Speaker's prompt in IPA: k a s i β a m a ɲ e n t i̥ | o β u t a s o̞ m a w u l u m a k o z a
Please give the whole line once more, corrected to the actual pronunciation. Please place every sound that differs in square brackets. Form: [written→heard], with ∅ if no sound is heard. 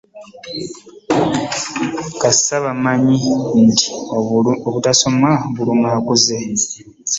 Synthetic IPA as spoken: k a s [i→a] β a m a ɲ [e→i] n t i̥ | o β u t a s o̞ m a [w→β] u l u m a k [o→u] z [a→e]